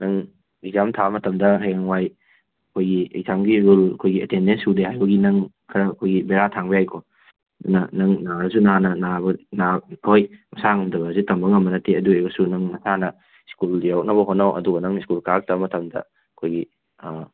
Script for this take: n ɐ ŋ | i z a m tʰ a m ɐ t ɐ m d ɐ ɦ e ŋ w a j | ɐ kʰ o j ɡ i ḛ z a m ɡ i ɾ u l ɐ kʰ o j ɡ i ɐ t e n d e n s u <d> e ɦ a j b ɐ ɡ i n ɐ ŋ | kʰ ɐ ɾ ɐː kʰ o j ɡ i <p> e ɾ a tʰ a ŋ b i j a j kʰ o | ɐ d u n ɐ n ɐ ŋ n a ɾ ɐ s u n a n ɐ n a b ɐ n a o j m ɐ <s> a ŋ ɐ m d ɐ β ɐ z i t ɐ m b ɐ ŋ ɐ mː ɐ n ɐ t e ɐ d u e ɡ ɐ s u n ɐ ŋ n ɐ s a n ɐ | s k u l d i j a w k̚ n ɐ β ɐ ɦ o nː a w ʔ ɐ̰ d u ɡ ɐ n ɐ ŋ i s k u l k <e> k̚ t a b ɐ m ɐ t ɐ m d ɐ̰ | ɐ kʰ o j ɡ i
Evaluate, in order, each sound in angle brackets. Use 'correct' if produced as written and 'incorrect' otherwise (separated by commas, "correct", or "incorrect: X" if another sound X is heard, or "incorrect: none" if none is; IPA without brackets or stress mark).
correct, incorrect: b, correct, incorrect: a